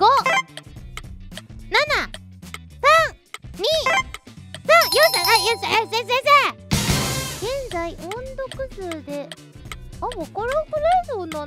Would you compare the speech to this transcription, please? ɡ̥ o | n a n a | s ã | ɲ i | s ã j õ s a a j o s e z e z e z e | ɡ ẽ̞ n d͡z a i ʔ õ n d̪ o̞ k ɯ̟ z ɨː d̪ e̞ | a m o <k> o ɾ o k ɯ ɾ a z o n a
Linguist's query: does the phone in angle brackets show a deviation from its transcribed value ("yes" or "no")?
no